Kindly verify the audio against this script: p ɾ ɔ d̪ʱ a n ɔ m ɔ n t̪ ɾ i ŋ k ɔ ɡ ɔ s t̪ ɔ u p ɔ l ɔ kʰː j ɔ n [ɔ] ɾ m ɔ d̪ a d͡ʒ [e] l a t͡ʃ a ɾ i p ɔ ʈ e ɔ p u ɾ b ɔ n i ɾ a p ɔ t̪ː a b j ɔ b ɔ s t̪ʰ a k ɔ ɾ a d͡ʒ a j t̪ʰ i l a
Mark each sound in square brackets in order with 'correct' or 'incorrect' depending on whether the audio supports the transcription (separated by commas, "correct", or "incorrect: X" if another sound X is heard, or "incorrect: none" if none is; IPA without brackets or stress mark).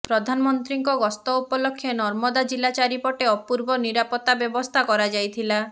correct, incorrect: i